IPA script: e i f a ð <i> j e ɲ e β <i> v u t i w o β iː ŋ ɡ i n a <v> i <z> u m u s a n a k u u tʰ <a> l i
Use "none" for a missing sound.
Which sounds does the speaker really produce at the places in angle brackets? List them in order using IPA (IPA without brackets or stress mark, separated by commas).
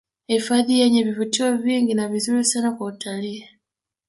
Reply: i, i, β, z, a